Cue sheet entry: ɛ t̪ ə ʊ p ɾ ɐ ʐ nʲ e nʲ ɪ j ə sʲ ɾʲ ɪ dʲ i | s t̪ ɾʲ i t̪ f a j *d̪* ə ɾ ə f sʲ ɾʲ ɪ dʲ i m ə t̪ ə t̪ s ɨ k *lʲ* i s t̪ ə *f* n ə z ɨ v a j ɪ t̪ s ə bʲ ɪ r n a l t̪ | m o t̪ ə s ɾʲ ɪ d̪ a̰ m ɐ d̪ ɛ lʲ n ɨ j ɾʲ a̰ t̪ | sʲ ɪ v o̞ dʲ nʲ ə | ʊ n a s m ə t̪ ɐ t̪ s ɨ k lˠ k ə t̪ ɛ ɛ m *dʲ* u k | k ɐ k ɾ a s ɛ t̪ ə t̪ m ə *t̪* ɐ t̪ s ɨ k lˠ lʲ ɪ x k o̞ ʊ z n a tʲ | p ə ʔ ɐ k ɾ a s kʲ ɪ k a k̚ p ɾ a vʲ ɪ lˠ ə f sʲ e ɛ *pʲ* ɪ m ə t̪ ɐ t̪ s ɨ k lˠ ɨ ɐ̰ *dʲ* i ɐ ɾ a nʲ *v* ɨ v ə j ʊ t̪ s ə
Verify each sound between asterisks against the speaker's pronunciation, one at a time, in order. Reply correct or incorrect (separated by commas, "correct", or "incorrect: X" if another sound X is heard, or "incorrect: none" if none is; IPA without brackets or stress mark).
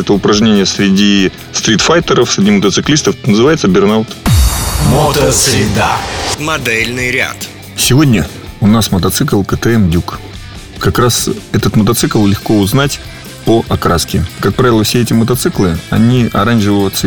incorrect: t̪, correct, correct, correct, correct, incorrect: tʲ, incorrect: nʲ, incorrect: ʐ